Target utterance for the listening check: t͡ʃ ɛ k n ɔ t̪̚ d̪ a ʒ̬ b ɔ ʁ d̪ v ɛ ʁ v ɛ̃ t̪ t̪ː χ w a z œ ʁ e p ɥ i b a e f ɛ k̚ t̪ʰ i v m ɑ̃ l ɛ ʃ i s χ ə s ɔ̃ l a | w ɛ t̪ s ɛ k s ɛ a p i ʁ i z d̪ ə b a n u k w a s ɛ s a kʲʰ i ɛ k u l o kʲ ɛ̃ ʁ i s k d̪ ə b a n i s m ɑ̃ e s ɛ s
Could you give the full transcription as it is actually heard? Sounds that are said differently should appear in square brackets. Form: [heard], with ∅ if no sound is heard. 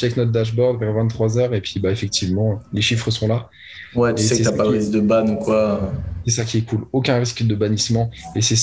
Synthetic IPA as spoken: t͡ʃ ɛ k n ɔ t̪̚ d̪ a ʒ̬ b ɔ ʁ d̪ v ɛ ʁ v ɛ̃ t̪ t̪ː χ w a z œ ʁ e p ɥ i b a e f ɛ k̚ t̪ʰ i v m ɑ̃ l [e] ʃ i [f] χ ə s ɔ̃ l a | w ɛ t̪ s ɛ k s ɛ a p [a] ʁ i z d̪ ə b a n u k w a s ɛ s a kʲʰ i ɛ k u l o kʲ ɛ̃ ʁ i s k d̪ ə b a n i s m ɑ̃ e s ɛ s